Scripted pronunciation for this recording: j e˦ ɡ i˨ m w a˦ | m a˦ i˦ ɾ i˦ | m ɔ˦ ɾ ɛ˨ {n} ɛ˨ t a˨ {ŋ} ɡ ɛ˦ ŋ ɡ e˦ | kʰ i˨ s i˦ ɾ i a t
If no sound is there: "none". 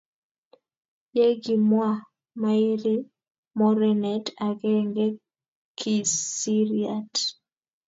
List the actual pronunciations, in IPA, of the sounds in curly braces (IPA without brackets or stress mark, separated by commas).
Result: n, none